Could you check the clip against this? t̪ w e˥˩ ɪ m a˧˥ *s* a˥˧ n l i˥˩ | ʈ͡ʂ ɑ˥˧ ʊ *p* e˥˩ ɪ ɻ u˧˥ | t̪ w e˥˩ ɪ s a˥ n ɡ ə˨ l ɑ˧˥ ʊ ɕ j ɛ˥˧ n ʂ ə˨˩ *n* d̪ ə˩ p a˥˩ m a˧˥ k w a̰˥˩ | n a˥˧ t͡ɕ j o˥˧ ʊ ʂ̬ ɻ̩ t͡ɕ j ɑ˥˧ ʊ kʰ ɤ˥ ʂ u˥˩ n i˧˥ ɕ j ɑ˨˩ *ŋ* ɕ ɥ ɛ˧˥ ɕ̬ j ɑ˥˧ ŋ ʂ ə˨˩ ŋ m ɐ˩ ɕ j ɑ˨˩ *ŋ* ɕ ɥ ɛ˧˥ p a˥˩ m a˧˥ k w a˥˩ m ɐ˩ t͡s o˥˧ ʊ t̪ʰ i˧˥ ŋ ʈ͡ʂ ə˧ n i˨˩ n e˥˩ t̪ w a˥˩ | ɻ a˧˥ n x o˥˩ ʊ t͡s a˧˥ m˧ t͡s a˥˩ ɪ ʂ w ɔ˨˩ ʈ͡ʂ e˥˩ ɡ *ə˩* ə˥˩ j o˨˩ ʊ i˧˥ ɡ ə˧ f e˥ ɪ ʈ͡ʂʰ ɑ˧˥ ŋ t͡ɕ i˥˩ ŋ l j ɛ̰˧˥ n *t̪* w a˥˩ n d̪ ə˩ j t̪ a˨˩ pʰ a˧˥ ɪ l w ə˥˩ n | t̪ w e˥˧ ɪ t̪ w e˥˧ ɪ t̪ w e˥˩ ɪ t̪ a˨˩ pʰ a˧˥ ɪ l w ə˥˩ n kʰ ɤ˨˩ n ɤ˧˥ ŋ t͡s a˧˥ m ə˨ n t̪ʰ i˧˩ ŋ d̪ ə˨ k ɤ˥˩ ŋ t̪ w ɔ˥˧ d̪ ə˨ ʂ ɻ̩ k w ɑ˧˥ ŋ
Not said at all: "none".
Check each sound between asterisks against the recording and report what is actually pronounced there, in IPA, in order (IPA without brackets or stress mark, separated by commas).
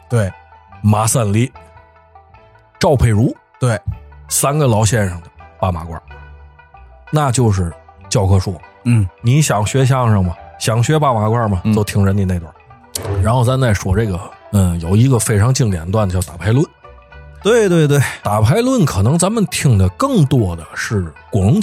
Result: s, pʰ, ŋ, ŋ, ŋ, ə˩, t̪